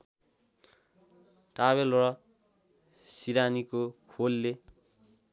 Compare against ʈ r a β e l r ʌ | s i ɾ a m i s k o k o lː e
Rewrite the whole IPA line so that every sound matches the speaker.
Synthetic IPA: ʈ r a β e l r ʌ | s i ɾ a n i k o kʰ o lː e